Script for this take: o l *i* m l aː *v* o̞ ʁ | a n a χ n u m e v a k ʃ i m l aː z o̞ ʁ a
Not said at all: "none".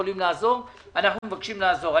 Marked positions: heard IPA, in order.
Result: i, z

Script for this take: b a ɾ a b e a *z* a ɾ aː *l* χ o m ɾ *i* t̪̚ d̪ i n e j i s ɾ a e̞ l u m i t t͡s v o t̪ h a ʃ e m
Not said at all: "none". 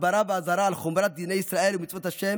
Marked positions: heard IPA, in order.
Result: z, l, a

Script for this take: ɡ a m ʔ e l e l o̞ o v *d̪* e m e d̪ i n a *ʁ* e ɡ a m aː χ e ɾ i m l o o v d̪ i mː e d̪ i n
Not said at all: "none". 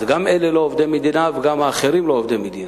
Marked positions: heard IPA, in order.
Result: d̪, v

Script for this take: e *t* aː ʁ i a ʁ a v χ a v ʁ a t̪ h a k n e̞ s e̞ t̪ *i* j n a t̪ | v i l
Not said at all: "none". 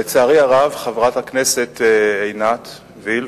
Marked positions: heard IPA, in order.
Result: t͡s, e

